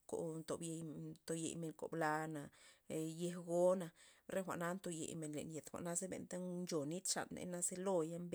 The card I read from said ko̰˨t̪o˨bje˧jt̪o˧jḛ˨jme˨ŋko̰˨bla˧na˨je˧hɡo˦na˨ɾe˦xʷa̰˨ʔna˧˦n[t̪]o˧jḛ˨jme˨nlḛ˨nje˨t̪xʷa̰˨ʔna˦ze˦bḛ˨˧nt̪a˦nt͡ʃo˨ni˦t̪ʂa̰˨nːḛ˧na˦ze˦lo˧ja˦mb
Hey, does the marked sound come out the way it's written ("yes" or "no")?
yes